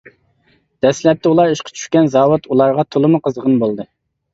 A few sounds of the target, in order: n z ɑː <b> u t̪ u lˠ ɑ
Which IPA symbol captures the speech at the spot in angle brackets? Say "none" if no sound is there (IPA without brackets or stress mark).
w